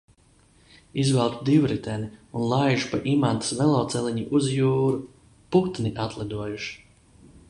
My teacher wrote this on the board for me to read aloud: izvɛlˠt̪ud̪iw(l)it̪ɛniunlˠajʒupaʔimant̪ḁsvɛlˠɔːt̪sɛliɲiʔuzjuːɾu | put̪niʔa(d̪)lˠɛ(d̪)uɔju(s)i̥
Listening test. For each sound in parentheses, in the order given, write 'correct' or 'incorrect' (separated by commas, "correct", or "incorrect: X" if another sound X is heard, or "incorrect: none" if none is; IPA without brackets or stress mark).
incorrect: ɾ, incorrect: t̪, correct, incorrect: ʃ